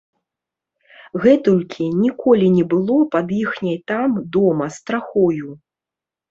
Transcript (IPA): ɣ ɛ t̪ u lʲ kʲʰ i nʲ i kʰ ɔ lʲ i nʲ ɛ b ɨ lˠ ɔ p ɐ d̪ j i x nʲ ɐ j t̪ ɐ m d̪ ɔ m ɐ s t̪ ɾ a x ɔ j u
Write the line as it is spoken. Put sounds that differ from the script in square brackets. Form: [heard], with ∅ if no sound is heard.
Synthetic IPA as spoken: ɣ ɛ t̪ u lʲ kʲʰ i nʲ i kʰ ɔ lʲ i nʲ ɛ b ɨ lˠ ɔ p ɐ d̪ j i x nʲ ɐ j t̪ [a] m d̪ ɔ m ɐ s t̪ ɾ a x ɔ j u

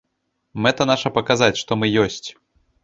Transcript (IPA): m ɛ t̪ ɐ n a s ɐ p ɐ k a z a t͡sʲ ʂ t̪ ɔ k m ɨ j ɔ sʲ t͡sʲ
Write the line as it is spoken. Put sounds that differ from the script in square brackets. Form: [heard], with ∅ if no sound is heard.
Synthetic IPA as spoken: m ɛ t̪ ɐ n a [ʂ] ɐ p ɐ k a z a t͡sʲ ʂ t̪ ɔ [∅] m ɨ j ɔ sʲ t͡sʲ

